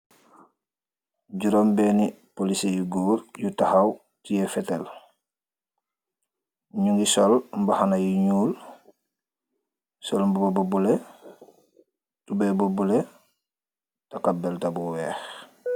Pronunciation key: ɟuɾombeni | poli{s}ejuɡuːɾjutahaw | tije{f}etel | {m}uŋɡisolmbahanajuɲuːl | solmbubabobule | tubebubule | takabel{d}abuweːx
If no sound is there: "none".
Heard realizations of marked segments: s, f, ɲ, t

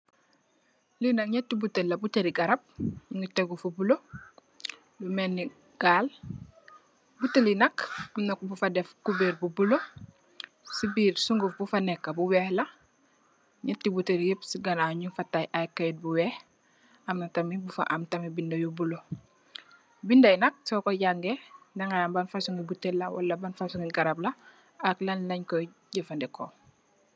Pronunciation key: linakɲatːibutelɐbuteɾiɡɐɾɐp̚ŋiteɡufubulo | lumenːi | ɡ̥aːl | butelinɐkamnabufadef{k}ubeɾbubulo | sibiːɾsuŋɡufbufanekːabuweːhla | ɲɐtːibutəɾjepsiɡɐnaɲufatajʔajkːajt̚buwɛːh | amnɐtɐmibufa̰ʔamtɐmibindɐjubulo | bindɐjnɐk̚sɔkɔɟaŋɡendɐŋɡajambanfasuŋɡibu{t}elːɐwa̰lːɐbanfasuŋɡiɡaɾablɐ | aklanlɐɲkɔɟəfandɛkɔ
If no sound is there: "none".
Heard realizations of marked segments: k, t

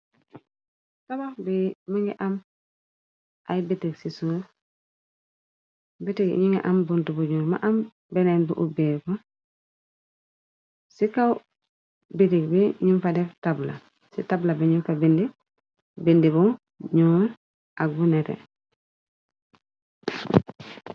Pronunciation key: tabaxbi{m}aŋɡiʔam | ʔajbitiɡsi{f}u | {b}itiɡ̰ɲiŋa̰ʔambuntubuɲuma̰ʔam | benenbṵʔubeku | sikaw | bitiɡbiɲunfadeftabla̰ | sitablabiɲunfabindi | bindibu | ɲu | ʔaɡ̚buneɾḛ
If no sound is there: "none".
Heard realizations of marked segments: m, s, b

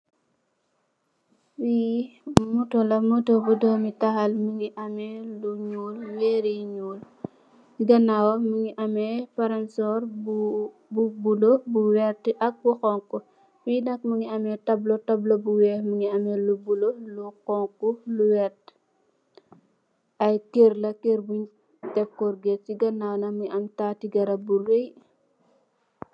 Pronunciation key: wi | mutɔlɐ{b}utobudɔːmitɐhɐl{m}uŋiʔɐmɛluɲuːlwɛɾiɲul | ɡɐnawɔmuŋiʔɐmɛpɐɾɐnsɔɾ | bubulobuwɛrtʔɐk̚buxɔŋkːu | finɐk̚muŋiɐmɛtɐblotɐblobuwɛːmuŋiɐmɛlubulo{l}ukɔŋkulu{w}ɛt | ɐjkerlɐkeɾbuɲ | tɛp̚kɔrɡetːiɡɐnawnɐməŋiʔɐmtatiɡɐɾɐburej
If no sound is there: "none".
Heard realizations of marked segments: m, m, l, w

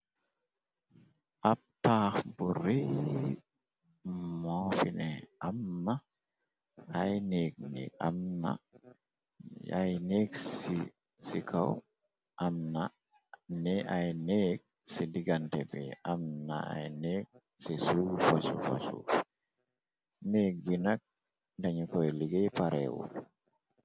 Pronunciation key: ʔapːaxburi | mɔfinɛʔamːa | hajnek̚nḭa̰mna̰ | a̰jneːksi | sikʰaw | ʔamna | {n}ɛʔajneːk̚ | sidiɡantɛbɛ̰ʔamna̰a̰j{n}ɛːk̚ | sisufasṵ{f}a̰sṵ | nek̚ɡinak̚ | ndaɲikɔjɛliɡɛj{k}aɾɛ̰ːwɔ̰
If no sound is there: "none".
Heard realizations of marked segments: n, n, f, p

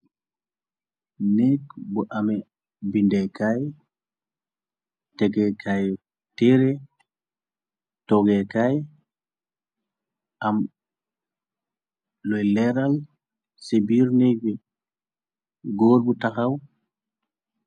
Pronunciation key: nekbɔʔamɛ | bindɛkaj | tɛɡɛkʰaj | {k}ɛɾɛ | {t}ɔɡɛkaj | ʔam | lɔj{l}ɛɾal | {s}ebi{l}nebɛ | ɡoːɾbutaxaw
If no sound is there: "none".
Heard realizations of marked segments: t, t, l, s, ɾ

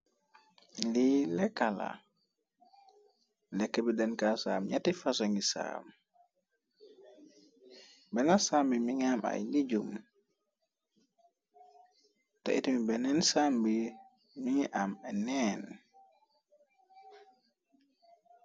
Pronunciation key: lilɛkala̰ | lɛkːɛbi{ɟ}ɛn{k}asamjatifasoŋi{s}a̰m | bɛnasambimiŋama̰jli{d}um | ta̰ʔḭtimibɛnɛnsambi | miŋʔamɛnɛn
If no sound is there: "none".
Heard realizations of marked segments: d, k, s, d͡ʒ

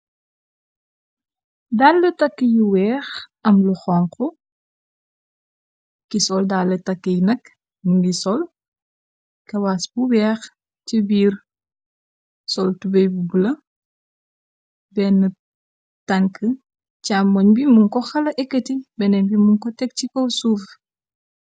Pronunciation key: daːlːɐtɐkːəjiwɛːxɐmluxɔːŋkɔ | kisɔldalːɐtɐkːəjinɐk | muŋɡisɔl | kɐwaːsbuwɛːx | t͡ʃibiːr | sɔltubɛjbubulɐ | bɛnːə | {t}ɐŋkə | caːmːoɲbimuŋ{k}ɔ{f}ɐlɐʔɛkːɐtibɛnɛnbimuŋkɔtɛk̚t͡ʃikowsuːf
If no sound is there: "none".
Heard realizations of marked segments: t, k, x

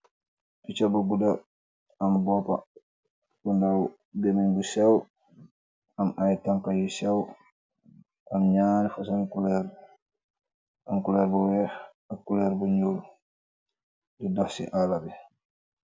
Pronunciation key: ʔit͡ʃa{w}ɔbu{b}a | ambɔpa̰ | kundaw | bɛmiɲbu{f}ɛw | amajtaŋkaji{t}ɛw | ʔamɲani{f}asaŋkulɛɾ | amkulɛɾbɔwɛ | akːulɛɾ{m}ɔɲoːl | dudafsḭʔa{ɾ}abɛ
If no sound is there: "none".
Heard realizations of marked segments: b, d, s, s, f, b, l

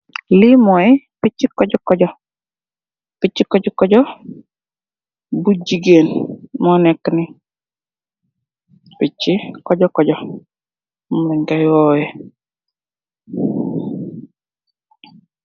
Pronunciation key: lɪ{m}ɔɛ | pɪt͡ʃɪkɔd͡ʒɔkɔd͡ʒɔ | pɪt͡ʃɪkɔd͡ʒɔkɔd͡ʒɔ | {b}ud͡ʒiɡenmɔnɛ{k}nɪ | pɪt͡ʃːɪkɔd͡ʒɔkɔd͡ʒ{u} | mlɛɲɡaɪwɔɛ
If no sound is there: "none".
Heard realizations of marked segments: m, b, k, ɔ

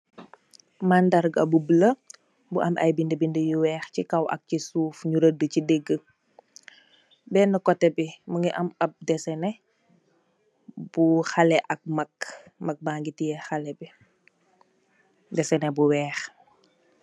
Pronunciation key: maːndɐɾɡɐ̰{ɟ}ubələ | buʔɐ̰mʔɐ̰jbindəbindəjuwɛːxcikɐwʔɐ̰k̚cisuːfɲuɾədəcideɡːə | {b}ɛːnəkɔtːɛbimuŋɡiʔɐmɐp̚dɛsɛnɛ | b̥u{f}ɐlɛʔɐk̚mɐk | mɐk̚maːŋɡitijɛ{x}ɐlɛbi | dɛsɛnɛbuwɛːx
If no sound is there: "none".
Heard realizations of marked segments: b, b, x, x

